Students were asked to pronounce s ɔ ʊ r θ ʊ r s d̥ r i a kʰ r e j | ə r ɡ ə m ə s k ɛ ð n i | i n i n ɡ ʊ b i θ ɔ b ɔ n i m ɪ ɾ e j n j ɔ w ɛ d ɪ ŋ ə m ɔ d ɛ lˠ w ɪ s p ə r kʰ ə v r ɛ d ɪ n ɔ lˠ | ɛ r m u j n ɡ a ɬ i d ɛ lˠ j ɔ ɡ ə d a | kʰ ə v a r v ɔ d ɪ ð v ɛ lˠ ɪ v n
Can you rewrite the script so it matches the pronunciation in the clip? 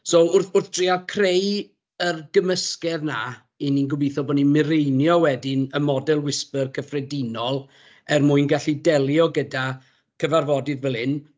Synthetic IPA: s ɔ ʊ r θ ʊ r θ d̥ r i a kʰ r e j | ə r ɡ ə m ə s k ɛ ð n a | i n i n ɡ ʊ b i θ ɔ b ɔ n i m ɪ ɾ e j n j ɔ w ɛ d ɪ n ə m ɔ d ɛ lˠ w ɪ s p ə r kʰ ə f r ɛ d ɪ n ɔ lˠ | ɛ r m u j n ɡ a ɬ i d ɛ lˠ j ɔ ɡ ə d a | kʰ ə v a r v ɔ d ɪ ð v ɛ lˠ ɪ n